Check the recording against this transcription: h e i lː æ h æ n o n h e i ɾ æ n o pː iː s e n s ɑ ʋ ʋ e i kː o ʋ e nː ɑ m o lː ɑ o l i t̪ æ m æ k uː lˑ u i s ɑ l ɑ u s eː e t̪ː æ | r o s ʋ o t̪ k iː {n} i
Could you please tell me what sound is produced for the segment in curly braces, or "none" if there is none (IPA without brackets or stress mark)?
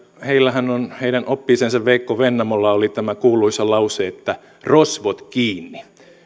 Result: nː